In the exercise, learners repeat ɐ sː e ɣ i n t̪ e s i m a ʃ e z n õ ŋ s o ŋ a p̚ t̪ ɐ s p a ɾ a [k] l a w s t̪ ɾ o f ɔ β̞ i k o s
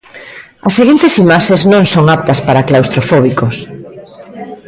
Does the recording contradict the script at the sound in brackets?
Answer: no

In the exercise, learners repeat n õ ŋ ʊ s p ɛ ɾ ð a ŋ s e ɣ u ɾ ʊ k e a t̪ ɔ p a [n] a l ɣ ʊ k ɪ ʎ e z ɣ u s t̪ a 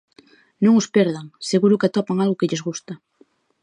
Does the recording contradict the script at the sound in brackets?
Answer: yes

